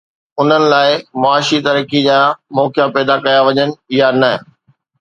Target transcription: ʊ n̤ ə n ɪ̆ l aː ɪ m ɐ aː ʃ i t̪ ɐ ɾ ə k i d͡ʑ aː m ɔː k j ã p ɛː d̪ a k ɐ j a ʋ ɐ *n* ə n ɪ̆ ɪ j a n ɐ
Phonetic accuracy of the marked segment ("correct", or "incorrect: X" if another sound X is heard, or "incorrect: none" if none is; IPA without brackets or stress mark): incorrect: ɲ